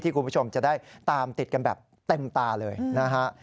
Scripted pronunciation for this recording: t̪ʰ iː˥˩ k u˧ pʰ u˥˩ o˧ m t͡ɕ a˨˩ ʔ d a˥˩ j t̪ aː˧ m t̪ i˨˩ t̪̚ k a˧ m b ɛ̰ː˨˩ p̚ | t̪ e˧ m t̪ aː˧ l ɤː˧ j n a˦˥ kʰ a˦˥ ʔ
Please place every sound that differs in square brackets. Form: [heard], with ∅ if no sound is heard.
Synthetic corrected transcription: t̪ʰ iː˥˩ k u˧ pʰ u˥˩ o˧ m t͡ɕ a˨˩ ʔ d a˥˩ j t̪ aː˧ m t̪ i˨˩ t̪̚ k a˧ [n] b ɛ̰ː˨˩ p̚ | t̪ e˧ m t̪ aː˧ l ɤː˧ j n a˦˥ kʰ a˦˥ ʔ